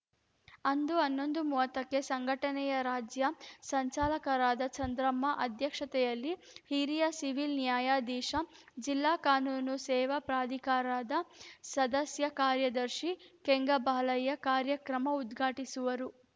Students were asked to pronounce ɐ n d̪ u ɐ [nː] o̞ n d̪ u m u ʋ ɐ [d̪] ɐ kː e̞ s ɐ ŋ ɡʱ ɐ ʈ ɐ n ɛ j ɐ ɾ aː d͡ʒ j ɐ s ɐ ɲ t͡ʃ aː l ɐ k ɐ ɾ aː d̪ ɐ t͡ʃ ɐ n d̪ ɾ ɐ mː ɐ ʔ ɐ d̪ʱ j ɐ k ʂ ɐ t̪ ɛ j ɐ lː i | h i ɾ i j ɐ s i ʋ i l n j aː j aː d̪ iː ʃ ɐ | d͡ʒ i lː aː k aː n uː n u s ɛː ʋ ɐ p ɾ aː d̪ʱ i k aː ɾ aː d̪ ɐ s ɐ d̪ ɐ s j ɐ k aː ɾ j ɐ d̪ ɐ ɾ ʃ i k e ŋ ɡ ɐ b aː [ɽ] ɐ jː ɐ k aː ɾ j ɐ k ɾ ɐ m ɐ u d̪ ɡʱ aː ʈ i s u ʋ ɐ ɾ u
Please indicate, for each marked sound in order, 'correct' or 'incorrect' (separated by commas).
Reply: correct, incorrect, incorrect